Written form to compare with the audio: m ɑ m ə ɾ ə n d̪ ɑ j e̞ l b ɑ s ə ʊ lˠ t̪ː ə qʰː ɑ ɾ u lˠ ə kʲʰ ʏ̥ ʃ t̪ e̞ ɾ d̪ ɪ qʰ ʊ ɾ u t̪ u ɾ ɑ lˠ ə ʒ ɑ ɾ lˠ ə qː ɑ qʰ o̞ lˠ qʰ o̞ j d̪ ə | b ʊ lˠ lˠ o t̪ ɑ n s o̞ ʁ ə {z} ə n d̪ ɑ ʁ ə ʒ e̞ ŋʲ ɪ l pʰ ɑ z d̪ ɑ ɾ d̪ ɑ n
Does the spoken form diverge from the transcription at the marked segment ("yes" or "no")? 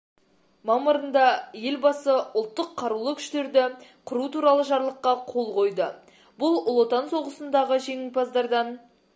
yes